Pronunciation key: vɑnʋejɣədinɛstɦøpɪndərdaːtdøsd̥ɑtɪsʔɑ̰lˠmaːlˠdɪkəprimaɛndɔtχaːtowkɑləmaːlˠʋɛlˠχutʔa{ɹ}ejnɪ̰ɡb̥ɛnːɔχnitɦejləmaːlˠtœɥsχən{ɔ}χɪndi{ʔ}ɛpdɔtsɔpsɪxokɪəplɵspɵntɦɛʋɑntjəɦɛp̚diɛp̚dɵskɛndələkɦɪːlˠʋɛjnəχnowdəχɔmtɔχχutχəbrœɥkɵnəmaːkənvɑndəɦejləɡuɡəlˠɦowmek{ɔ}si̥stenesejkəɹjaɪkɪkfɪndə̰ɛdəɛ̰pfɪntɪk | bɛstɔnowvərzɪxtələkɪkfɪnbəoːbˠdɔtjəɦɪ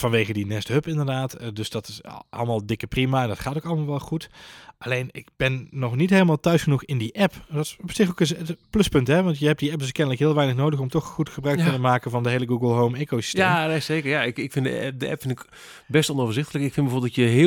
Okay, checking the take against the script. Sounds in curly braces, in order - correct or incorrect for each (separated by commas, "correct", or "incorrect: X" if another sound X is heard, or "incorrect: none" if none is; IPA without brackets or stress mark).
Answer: incorrect: l, incorrect: u, correct, incorrect: o